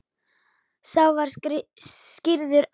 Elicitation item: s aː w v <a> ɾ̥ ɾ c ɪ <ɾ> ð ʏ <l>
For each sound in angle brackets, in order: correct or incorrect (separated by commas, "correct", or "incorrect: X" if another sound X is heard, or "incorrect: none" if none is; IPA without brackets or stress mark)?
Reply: correct, correct, incorrect: ɾ